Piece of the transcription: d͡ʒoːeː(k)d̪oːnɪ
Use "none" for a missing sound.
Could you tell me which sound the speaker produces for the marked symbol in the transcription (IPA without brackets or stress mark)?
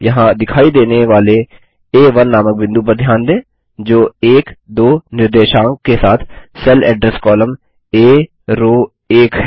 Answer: k